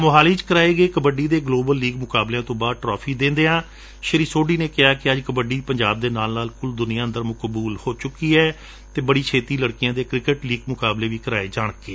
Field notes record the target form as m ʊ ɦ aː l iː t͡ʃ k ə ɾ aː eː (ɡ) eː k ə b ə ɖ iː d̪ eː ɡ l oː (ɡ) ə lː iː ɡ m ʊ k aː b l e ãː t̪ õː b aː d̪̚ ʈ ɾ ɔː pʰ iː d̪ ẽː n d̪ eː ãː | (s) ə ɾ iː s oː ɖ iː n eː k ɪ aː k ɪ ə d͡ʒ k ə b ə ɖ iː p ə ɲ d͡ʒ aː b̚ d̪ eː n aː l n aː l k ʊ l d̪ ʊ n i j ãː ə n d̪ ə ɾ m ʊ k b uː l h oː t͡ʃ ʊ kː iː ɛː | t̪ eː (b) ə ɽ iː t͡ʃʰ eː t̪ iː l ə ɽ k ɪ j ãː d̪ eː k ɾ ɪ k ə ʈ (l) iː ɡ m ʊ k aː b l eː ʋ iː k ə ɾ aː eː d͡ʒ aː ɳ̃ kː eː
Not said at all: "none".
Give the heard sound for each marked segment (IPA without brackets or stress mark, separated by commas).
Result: ɡ, b, ʃ, b, l